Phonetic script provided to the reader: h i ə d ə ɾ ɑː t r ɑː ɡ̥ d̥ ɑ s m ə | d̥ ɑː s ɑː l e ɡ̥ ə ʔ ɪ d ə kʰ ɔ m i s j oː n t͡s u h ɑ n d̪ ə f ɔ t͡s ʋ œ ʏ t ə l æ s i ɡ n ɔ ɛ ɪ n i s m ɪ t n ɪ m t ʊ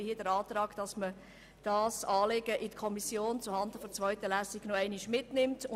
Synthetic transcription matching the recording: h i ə d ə ɾ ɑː t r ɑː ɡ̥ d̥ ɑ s m ə | d̥ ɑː s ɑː l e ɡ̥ ə ʔ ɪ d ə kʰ ɔ m i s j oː n t͡s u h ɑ n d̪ ə f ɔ t͡s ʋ œ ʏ t ə l æ s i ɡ n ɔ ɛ ɪ n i ʃ m ɪ t n ɪ m t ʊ